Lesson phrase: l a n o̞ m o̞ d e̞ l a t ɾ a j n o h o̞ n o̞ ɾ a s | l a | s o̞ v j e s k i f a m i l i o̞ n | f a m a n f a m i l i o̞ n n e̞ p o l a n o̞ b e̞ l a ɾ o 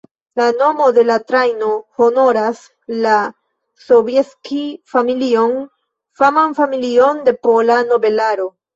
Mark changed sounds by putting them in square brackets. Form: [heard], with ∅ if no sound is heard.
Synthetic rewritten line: l a n o̞ m o̞ d e̞ l a t ɾ a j n o h o̞ n o̞ ɾ a s | l a | s o̞ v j e s k i f a m i l i o̞ n | f a m a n f a m i l i o̞ n [d] e̞ p o l a n o̞ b e̞ l a ɾ o